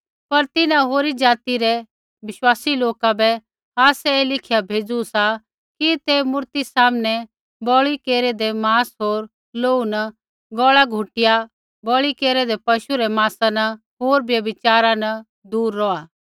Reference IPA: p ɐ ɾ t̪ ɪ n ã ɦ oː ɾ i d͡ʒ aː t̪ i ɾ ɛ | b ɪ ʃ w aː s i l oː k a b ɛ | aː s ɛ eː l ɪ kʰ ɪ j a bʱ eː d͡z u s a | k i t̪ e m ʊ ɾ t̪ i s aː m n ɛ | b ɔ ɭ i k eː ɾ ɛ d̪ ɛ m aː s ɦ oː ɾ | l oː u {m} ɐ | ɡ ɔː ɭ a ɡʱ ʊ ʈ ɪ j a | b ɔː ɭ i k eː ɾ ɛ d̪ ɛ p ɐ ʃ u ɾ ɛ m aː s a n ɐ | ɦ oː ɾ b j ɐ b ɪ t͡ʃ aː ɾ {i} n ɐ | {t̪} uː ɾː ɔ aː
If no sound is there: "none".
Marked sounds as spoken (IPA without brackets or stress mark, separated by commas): n, a, d̪